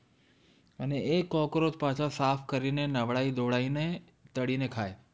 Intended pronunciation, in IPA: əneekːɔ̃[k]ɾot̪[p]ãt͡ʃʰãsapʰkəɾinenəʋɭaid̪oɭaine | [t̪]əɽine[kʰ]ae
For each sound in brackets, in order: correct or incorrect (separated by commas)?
correct, correct, correct, correct